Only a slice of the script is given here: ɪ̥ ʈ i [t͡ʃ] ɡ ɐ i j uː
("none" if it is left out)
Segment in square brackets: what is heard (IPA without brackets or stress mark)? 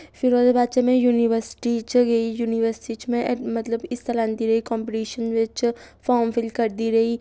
t͡ʃ